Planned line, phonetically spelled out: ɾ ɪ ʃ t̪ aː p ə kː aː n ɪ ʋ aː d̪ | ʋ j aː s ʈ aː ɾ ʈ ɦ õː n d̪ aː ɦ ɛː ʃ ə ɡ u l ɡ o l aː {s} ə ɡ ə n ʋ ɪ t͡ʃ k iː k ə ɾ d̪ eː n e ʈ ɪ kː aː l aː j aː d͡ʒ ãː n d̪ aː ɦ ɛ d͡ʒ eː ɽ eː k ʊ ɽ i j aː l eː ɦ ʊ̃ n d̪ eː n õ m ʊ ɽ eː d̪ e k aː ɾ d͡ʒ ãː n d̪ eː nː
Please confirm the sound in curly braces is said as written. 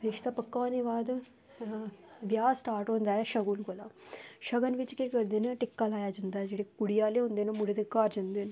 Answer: no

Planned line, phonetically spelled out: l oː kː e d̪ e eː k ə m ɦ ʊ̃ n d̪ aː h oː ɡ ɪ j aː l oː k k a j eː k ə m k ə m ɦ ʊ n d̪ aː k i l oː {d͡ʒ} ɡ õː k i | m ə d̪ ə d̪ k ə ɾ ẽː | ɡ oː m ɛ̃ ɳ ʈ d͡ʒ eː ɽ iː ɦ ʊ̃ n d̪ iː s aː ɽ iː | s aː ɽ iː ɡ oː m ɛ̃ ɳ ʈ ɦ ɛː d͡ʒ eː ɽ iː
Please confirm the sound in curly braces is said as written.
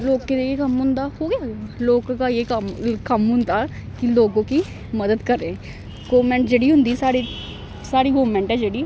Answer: no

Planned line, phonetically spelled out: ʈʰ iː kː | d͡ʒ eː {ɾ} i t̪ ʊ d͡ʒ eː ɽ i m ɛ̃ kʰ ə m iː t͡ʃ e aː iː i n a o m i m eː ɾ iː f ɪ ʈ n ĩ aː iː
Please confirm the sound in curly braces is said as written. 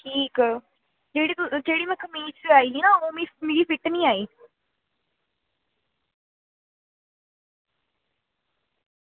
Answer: no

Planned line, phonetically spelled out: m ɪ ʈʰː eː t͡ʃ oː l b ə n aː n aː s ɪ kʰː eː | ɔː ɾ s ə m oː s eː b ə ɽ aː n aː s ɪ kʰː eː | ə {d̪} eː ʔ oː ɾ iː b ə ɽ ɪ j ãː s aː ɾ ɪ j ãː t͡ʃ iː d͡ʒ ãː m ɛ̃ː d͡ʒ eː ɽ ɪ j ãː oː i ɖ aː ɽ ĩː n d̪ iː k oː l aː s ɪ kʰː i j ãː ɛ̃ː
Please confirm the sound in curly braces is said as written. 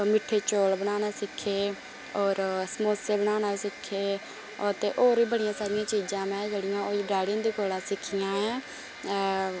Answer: no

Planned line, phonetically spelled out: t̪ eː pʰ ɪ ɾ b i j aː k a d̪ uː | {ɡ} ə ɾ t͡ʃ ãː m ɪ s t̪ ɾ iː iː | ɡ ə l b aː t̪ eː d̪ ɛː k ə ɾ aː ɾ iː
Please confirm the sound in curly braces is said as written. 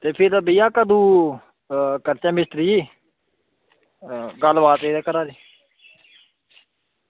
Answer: no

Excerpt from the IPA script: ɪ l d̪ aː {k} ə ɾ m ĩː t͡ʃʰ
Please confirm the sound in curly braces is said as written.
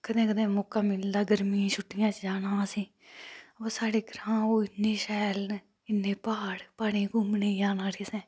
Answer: no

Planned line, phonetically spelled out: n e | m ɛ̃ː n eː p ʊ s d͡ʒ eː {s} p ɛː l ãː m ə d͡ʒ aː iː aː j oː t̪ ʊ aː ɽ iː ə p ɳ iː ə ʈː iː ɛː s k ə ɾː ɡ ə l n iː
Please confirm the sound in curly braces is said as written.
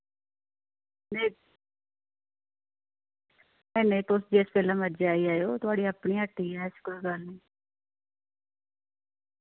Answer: yes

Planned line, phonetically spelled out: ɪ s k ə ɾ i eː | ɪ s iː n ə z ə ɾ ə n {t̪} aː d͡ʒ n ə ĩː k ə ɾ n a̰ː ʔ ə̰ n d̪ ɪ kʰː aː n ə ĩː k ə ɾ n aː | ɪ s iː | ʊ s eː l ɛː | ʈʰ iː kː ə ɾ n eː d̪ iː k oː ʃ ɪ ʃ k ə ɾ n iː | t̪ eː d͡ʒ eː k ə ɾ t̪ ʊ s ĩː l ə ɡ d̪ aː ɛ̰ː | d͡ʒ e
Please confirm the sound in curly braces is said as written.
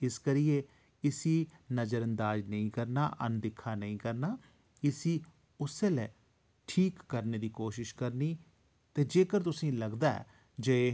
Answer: no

